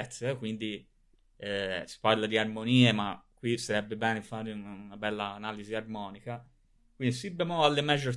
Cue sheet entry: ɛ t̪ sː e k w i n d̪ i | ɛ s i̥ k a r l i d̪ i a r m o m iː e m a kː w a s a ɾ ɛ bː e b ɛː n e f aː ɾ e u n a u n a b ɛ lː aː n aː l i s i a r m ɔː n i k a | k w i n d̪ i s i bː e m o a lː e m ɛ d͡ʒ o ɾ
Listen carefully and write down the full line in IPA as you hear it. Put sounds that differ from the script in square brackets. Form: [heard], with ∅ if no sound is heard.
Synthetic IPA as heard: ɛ t̪ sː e k w i n d̪ i | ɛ s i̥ [p] a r l [a] d̪ i a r m o [n] iː e m a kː w [i] s a ɾ ɛ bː e b ɛː n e f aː ɾ e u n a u n a b ɛ lː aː n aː l i [z] i a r m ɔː n i k a | k w i n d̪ i s i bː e m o a lː e m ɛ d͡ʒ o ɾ